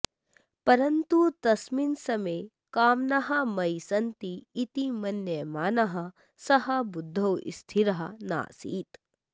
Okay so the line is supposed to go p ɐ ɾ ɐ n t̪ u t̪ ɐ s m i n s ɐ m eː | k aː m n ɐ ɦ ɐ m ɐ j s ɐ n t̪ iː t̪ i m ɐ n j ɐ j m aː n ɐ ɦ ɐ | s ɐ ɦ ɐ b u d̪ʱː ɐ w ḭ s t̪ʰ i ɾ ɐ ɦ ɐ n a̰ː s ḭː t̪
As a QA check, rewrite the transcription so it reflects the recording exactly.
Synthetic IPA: p ɐ ɾ ɐ n t̪ u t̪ ɐ s m i n s ɐ m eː | k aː m n ɐ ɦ ɐ m ɐ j s ɐ n t̪ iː t̪ i m ɐ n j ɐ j m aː n ɐ ɦ ɐ | s ɐ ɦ ɐ b u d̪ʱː ɐ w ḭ s t̪ʰ i ɾ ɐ ɦ ɐ n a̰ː s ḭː t̪

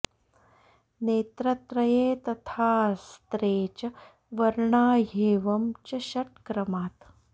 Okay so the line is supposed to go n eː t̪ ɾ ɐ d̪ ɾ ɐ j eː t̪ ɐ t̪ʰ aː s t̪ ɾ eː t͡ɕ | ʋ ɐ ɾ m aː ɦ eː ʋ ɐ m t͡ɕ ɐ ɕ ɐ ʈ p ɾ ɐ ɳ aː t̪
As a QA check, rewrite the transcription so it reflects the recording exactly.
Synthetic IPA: n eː t̪ ɾ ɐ t̪ ɾ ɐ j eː t̪ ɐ t̪ʰ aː s t̪ ɾ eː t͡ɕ | ʋ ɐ ɾ ɳ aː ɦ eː ʋ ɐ m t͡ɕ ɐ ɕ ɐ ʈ k ɾ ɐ m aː t̪

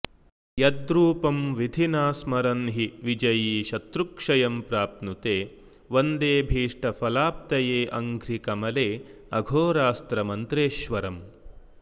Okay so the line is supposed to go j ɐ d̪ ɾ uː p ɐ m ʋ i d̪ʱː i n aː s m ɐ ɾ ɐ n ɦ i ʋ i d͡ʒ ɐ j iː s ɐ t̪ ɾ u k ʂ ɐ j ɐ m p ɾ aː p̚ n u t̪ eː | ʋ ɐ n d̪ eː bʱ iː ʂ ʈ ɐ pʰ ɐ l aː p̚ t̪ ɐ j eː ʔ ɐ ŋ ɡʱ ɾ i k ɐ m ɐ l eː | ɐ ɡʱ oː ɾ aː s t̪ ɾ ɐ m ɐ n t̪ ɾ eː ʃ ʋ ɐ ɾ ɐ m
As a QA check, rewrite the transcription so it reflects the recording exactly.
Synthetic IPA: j ɐ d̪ ɾ uː p ɐ m ʋ i d̪ʱ i n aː s m ɐ ɾ ɐ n ɦ i ʋ i d͡ʒ ɐ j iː ʃ ɐ t̪ ɾ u k ʂ ɐ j ɐ m p ɾ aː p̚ n u t̪ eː | ʋ ɐ n d̪ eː bʱ iː ʂ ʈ ɐ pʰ ɐ l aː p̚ t̪ ɐ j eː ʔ ɐ ŋ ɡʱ ɾ i k ɐ m ɐ l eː | ɐ ɡʱ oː ɾ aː s t̪ ɾ ɐ m ɐ n t̪ ɾ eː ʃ ʋ ɐ ɾ ɐ m

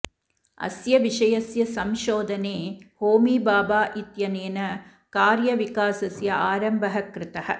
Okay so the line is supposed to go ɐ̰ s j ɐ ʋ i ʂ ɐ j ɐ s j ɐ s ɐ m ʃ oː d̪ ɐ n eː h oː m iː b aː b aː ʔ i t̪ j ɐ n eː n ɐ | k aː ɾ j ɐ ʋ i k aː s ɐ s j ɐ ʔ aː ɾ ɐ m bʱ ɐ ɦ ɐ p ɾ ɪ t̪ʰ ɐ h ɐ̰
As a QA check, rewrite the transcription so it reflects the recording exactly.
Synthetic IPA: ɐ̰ s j ɐ ʋ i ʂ ɐ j ɐ s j ɐ s ɐ m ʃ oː d̪ ɐ n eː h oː m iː b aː b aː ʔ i t̪ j ɐ n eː n ɐ | k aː ɾ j ɐ ʋ i k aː s ɐ s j ɐ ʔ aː ɾ ɐ m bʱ ɐ ɦ ɐ k ɾ ɪ t̪ ɐ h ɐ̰

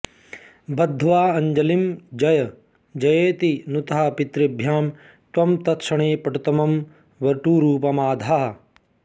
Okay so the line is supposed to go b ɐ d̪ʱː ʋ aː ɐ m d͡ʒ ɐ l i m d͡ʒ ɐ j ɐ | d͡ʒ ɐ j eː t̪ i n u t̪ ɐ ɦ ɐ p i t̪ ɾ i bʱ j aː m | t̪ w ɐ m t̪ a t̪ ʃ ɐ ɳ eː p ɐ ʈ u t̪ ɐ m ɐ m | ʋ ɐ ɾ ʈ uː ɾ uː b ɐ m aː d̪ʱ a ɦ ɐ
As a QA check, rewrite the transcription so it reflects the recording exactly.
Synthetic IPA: b ɐ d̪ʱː ʋ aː ɐ ɲ d͡ʒ ɐ l i m d͡ʒ ɐ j ɐ | d͡ʒ ɐ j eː t̪ i n u t̪ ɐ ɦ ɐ p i t̪ ɾ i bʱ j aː m | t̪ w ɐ m t̪ ɐ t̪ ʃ ɐ ɳ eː p ɐ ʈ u t̪ ɐ m ɐ m | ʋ ɐ ɾ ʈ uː ɾ uː p ɐ m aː d̪ʱ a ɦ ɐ

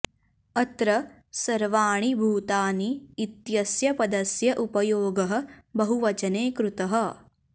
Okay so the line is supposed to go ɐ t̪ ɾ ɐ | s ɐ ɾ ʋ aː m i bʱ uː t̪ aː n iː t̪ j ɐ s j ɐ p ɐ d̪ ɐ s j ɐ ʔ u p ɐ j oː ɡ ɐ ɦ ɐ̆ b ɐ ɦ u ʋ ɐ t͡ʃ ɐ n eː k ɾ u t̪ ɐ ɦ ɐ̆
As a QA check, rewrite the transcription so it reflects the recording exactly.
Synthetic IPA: ɐ t̪ ɾ ɐ | s ɐ ɾ ʋ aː ɳ i bʱ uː t̪ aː n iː t̪ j ɐ s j ɐ p ɐ d̪ ɐ s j ɐ ʔ u p ɐ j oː ɡ ɐ ɦ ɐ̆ b ɐ ɦ u ʋ ɐ t͡ʃ ɐ n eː k ɾ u t̪ ɐ ɦ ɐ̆

